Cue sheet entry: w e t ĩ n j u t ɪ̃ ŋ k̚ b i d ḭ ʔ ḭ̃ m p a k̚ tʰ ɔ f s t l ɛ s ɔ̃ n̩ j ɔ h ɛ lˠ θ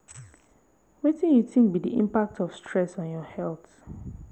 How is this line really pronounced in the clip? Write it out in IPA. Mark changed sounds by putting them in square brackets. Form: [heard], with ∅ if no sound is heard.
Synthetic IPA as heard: w e t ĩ n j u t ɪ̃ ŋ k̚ b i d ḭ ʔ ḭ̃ m p a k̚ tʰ ɔ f s t [ɹ] ɛ s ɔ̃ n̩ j ɔ h ɛ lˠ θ